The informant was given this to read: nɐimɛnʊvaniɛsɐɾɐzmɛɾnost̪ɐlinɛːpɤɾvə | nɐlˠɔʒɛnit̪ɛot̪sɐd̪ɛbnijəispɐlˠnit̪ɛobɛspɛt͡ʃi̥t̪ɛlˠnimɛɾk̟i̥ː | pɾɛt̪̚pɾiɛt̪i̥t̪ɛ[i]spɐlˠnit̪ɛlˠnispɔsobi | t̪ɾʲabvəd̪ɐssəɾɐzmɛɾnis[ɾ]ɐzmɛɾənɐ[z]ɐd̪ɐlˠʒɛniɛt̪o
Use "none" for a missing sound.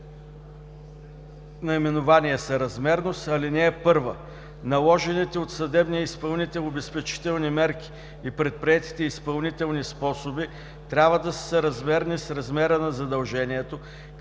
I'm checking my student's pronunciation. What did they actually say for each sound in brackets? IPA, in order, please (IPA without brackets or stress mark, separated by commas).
i, ɾ, z